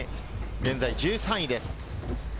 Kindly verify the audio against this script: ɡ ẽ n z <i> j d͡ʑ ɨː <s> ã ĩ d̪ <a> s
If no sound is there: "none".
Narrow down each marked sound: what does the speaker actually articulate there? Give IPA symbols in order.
a, s, e

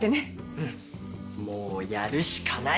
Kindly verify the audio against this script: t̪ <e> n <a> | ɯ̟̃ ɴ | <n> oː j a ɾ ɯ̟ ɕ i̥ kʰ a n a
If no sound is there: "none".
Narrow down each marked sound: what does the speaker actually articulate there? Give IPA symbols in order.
e, e, m

